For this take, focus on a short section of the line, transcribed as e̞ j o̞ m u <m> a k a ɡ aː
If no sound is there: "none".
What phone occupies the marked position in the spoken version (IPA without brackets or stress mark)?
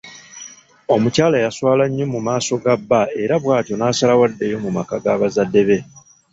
m